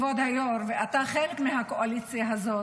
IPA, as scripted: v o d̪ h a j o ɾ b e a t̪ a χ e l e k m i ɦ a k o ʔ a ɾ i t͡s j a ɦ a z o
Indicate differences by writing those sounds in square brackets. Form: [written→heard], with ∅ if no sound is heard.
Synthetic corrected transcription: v o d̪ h a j o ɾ [b→v] e a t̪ a χ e l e k m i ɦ a k o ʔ a [ɾ→l] i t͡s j a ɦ a z o